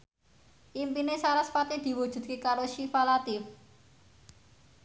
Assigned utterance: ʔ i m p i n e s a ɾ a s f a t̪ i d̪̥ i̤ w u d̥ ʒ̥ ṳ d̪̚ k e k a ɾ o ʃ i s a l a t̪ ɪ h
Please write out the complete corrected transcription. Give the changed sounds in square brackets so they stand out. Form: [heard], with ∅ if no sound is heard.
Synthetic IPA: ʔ i m p i n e s a ɾ a s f a t̪ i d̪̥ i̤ w u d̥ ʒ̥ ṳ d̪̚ k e k a ɾ o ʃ i [f] a l a t̪ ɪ [f]